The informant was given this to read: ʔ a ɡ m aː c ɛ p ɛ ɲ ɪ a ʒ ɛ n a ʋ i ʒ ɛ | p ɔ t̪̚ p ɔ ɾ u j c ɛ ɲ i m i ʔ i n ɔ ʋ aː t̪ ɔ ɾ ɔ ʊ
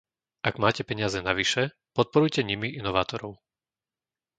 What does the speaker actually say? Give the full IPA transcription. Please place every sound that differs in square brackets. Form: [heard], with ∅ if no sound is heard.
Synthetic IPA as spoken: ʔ a ɡ m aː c ɛ p ɛ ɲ ɪ a [z] ɛ n a ʋ i [ʃ] ɛ | p ɔ t̪̚ p ɔ ɾ u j c ɛ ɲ i m i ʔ i n ɔ ʋ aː t̪ ɔ ɾ ɔ ʊ